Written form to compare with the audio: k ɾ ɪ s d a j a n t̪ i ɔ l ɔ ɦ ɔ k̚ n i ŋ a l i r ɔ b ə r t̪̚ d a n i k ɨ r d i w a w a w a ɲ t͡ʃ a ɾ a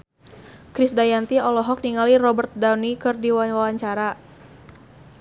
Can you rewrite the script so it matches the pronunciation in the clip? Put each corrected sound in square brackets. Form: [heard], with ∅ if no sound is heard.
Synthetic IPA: k ɾ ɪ s d a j a n t̪ i ɔ l ɔ ɦ ɔ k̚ n i ŋ a l i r ɔ b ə r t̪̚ d a n i k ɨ r d i w a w a w a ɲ t͡ʃ a ɾ a